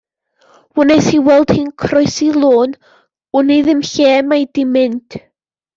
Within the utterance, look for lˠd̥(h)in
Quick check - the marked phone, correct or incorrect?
correct